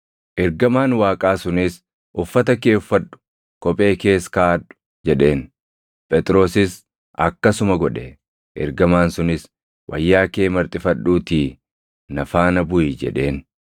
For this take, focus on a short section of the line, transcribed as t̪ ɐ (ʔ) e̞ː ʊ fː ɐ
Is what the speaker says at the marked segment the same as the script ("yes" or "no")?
no